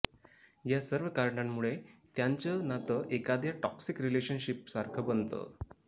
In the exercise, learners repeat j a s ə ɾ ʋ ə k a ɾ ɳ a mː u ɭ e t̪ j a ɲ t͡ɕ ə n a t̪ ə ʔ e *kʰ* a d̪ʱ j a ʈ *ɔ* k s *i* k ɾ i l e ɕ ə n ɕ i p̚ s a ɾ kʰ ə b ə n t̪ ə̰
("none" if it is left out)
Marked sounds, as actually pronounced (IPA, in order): k, ɔ, i

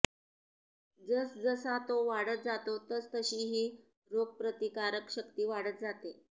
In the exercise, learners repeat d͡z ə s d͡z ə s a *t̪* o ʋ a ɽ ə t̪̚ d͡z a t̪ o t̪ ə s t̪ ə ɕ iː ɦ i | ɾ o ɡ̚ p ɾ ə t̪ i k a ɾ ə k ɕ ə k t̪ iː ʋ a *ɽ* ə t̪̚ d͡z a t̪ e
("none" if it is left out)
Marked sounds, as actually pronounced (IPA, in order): t̪, ɽ

